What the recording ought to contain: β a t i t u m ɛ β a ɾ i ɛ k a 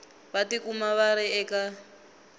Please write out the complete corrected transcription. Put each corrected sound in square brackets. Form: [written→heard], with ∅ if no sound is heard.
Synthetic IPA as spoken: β a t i [t→k] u m [ɛ→a] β a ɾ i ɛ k a